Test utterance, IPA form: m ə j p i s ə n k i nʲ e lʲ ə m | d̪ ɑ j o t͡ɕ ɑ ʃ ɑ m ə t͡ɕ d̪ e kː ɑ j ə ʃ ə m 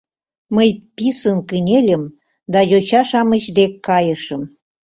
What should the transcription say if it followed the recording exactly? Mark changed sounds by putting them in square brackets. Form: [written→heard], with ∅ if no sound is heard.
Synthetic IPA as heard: m ə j p i s ə n k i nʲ e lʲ ə m | d̪ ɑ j o t͡ɕ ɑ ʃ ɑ m ə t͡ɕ d̪ e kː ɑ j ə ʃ ə m